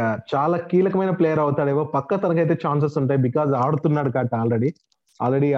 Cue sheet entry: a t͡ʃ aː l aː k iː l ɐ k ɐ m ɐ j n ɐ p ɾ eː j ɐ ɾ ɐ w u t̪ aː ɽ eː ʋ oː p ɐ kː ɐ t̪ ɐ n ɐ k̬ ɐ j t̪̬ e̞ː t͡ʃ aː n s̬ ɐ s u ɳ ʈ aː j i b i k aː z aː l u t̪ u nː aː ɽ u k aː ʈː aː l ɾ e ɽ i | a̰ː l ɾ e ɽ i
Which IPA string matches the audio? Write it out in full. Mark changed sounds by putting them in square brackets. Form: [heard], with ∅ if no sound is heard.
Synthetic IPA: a t͡ʃ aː l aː k iː l ɐ k ɐ m ɐ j n ɐ p [l] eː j ɐ ɾ ɐ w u t̪ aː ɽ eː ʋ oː p ɐ kː ɐ t̪ ɐ n ɐ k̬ ɐ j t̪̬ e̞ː t͡ʃ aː n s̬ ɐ s u ɳ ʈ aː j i b i k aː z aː [ɽ] u t̪ u nː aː ɽ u k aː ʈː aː l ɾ e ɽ i | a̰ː l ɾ e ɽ i